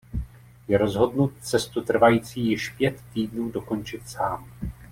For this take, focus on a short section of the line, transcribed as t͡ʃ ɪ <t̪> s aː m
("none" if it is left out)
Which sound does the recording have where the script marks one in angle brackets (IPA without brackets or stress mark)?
t̪